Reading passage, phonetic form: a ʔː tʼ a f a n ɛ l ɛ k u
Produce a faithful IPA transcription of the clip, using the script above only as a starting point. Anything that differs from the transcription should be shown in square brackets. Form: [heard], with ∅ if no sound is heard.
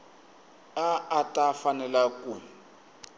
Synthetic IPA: a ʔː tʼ a f a n ɛ l [a] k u